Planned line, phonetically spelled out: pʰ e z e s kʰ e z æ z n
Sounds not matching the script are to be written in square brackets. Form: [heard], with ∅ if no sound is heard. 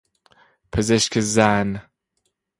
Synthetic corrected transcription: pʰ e z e [ʃ] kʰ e z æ [∅] n